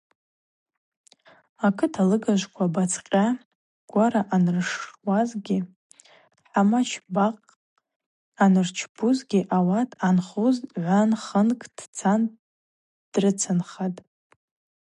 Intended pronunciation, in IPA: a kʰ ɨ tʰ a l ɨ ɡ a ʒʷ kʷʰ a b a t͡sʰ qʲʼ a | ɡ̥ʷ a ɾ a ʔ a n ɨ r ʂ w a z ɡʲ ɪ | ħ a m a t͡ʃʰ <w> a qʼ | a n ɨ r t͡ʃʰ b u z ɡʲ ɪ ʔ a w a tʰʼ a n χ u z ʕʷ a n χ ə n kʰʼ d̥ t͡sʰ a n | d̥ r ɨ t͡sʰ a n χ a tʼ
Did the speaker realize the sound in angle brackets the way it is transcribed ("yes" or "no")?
no